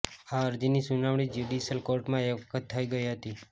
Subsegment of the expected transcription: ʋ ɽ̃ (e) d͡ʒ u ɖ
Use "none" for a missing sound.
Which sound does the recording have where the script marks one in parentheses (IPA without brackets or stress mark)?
i